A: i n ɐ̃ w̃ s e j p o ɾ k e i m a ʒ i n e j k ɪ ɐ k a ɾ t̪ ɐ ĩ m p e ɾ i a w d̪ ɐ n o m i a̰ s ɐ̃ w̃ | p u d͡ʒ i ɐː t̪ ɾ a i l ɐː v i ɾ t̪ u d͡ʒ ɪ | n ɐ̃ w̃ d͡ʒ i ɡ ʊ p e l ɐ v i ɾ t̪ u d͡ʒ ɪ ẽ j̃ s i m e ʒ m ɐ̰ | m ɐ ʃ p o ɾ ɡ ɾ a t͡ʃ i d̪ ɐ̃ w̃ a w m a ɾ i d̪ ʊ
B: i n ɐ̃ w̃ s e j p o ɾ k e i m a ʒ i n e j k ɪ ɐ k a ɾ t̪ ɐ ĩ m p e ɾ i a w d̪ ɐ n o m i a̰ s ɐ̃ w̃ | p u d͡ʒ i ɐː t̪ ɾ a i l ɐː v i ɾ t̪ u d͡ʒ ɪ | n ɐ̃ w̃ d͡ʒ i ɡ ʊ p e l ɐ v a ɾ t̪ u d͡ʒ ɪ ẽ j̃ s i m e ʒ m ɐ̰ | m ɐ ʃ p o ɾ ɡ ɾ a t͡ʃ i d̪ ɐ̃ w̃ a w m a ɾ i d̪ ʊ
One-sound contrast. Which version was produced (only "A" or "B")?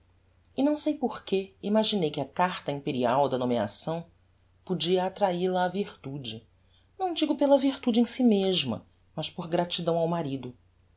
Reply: A